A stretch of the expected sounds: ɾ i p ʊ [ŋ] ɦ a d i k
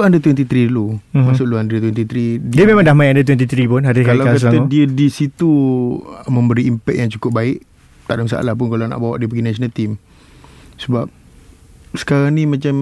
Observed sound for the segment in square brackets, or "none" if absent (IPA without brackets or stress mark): n